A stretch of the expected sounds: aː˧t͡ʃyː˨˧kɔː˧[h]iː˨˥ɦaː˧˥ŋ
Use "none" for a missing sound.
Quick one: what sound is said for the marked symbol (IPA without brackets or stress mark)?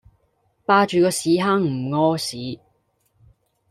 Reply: s